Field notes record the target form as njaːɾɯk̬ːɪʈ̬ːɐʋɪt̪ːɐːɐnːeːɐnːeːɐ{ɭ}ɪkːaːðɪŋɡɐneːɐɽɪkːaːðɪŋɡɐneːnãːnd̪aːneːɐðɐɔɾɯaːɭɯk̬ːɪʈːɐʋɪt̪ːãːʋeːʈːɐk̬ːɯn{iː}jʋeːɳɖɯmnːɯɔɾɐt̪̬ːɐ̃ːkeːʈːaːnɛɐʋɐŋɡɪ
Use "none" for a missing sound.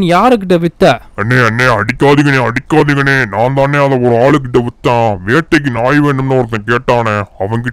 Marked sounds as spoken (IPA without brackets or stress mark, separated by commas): ɽ, aː